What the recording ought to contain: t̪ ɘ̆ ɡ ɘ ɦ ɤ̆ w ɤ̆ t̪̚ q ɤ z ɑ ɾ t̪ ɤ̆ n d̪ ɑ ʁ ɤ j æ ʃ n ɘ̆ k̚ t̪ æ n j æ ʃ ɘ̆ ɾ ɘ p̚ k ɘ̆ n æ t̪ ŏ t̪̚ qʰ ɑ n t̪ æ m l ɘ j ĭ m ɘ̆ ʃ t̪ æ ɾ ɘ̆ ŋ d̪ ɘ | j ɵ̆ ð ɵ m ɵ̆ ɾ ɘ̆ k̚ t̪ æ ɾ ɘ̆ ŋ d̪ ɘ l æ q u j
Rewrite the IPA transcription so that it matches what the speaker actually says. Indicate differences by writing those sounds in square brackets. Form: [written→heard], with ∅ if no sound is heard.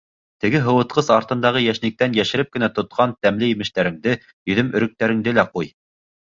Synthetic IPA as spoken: t̪ ɘ̆ ɡ ɘ ɦ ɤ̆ w ɤ̆ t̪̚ q ɤ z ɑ ɾ t̪ ɤ̆ n d̪ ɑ ʁ ɤ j æ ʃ n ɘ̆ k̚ t̪ æ n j æ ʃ ɘ̆ ɾ ɘ p̚ k ɘ̆ n æ t̪ ŏ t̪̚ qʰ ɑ n t̪ æ m l ɘ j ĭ m ɘ̆ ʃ t̪ æ ɾ ɘ̆ ŋ d̪ ɘ | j ɵ̆ ð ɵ m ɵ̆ ɾ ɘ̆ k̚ t̪ æ ɾ ɘ̆ ŋ d̪ ɘ l æ q u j